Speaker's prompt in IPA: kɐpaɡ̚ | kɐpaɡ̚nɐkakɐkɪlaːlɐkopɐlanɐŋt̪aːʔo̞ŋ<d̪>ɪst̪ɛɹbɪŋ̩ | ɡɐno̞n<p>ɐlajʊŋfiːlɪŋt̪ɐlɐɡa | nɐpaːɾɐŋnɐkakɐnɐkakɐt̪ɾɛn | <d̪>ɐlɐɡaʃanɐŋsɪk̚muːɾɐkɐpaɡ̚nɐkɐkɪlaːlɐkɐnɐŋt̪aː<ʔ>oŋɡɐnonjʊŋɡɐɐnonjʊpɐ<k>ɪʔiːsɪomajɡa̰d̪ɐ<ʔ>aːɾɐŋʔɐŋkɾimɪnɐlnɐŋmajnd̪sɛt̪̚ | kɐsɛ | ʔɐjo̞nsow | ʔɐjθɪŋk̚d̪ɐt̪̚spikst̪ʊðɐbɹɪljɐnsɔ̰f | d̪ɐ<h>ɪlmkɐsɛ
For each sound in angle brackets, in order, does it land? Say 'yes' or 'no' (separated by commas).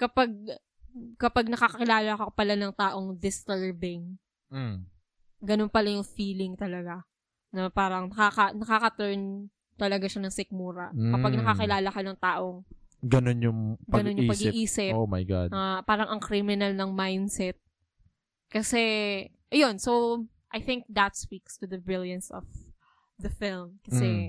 yes, yes, no, yes, no, no, no